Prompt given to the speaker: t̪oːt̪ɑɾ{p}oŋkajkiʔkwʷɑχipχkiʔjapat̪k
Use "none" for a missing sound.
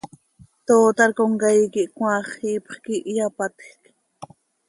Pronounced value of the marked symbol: k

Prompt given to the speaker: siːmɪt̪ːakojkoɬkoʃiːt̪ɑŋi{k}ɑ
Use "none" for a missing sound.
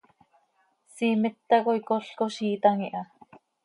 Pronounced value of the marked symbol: ʔ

